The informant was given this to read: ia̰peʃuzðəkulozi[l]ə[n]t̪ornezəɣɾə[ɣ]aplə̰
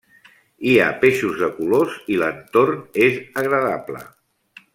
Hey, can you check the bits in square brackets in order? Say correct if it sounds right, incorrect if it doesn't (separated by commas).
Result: correct, correct, incorrect